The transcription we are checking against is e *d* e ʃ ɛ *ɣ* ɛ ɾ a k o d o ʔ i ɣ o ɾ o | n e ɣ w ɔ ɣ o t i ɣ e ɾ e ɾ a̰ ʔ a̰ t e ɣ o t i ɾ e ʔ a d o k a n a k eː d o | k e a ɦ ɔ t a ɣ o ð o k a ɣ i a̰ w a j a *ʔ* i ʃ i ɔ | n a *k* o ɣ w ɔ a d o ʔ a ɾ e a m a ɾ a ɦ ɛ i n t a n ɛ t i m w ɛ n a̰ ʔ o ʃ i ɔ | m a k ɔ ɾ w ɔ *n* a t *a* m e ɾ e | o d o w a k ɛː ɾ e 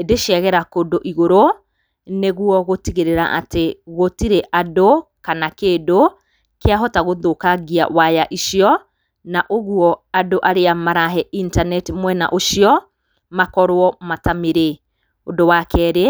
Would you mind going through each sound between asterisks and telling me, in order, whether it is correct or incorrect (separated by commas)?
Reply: correct, correct, correct, incorrect, incorrect, correct